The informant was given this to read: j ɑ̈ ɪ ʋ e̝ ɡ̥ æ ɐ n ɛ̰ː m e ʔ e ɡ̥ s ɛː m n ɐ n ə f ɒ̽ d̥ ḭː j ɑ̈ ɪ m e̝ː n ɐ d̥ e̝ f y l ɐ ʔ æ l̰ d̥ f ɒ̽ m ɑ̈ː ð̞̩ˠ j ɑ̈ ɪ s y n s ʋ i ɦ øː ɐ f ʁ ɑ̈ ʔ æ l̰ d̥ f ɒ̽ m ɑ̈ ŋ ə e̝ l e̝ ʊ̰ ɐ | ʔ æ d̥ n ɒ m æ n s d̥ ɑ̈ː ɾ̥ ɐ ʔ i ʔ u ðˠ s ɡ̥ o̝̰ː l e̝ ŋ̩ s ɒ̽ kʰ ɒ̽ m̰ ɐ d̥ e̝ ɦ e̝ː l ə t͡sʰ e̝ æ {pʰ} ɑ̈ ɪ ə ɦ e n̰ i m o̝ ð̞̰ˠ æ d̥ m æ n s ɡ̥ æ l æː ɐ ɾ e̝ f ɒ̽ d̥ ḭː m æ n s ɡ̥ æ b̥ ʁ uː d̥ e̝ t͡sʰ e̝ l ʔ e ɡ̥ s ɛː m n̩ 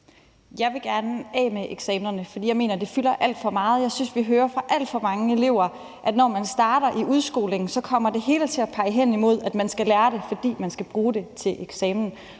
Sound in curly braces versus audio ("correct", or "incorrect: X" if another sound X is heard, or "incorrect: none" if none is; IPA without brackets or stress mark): correct